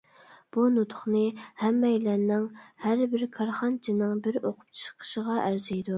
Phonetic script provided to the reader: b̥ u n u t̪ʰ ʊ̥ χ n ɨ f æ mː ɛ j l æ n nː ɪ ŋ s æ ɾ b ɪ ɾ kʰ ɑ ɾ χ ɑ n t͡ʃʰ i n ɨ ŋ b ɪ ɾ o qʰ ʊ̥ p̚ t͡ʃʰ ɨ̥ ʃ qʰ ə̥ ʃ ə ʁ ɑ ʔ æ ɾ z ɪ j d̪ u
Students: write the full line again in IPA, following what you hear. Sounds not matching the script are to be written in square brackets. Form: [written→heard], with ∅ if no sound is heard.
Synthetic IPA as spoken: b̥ u n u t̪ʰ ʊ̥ χ n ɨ [f→h] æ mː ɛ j l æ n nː ɪ ŋ [s→h] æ ɾ b ɪ ɾ kʰ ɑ ɾ χ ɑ n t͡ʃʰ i n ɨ ŋ b ɪ ɾ o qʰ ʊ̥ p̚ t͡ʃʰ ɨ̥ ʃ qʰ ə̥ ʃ ə ʁ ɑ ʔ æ ɾ z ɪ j d̪ u